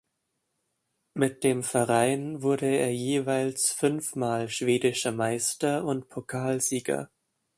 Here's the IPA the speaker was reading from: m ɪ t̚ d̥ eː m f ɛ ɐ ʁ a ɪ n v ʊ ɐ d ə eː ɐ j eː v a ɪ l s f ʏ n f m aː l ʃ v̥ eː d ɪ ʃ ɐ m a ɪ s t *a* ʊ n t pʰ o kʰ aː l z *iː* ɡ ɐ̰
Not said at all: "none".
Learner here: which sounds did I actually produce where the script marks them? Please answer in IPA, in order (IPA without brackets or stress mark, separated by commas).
ɐ, iː